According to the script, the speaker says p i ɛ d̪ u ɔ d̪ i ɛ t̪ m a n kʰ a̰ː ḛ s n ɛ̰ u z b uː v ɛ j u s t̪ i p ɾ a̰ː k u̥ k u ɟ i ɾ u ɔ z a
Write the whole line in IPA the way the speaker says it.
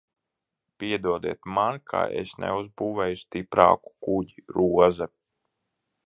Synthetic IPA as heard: p i ɛ d̪ u ɔ d̪ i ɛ t̪ m a n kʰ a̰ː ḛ s n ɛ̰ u z b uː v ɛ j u s t̪ i p ɾ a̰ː k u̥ k u ɟ i ɾ u ɔ z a